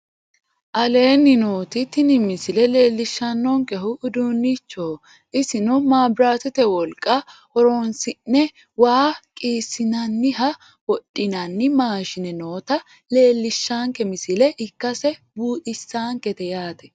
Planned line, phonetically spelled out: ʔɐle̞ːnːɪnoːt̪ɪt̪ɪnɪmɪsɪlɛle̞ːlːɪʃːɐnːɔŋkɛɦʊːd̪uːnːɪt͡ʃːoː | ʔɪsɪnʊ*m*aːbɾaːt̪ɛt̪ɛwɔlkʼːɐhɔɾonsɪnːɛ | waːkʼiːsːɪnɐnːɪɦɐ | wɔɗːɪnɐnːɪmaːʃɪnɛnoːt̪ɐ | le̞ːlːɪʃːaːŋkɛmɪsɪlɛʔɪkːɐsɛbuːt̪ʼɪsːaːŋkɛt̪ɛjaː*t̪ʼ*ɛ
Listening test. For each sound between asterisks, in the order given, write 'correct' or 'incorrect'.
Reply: correct, incorrect

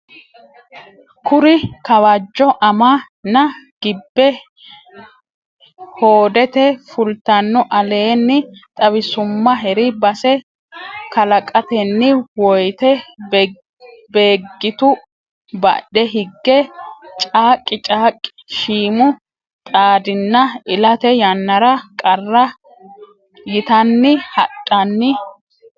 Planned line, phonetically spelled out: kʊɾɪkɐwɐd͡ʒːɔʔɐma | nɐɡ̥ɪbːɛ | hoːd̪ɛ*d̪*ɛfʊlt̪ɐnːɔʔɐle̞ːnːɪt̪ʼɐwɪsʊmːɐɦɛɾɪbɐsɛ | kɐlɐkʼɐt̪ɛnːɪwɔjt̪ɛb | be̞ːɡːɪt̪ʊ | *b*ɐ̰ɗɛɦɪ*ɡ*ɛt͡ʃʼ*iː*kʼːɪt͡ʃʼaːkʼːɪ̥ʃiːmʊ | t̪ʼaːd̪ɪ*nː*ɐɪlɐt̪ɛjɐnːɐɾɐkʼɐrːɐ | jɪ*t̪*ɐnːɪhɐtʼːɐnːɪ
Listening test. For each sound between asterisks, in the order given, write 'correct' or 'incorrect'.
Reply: incorrect, correct, incorrect, incorrect, correct, correct

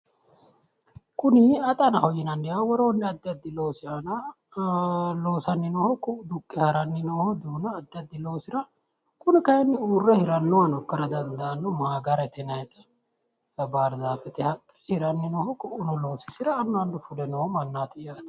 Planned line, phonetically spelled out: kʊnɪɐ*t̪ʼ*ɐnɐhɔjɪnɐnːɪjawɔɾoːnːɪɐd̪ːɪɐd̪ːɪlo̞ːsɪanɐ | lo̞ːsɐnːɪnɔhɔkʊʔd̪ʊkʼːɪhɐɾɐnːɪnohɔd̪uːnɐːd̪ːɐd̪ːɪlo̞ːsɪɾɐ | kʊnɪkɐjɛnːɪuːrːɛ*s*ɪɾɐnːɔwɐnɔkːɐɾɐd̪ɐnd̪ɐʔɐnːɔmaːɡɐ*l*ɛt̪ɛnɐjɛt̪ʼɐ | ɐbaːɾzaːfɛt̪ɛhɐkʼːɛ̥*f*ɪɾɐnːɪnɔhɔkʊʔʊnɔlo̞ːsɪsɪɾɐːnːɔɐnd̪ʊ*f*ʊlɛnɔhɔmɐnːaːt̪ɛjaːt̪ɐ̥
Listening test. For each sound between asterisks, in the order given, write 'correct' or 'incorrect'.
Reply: correct, incorrect, incorrect, incorrect, correct

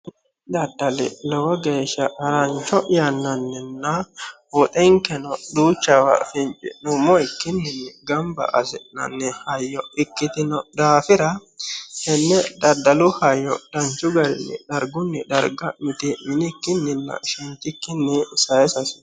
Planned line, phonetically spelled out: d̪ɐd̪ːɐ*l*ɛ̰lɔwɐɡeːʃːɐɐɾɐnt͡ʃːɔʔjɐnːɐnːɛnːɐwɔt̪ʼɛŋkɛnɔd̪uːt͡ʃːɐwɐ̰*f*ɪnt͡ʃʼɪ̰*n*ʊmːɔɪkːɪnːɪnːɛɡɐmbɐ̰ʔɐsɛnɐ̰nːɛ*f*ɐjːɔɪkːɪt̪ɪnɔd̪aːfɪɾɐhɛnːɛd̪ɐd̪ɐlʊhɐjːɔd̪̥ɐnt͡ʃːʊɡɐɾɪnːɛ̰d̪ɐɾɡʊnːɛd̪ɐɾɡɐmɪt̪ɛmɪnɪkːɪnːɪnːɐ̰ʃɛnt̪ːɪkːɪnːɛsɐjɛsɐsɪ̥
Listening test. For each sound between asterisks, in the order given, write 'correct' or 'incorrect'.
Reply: correct, correct, correct, incorrect

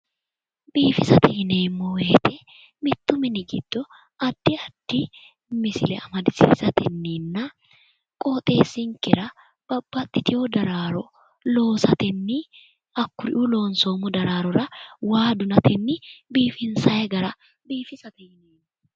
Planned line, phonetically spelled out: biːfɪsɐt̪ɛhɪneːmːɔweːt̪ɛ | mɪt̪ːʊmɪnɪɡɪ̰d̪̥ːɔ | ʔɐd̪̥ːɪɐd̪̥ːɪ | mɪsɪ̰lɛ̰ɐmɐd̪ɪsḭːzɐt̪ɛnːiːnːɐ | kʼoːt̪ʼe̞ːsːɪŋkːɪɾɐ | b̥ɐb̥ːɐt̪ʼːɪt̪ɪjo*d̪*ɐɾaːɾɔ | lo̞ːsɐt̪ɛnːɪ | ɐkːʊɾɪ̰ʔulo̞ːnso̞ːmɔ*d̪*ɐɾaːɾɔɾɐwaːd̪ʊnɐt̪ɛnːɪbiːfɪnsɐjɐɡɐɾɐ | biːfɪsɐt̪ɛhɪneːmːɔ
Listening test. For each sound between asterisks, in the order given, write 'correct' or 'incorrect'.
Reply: correct, correct

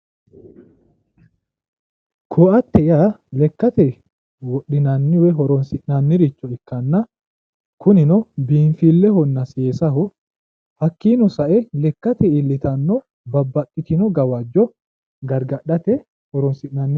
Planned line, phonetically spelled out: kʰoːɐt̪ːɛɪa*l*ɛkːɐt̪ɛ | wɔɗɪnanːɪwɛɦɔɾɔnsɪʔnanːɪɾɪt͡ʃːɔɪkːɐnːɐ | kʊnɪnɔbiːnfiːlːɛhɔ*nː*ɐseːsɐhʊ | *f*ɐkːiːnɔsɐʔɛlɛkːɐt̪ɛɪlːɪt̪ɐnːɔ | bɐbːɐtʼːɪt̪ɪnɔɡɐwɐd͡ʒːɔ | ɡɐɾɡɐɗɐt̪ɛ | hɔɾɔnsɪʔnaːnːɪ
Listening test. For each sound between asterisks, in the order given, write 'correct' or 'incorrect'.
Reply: correct, correct, incorrect

